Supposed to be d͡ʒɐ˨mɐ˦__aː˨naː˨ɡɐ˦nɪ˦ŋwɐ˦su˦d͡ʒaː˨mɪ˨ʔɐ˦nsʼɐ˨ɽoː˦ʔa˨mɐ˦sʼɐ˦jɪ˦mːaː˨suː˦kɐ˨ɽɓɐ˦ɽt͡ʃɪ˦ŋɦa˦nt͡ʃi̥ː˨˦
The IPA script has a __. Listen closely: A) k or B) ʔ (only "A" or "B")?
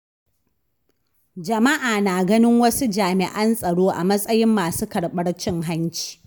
B